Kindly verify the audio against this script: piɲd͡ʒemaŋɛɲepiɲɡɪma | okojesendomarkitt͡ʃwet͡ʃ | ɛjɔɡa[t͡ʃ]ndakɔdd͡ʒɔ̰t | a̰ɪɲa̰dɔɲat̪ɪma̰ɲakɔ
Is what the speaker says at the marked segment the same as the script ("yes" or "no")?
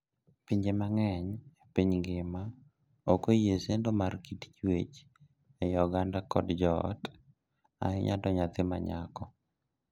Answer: no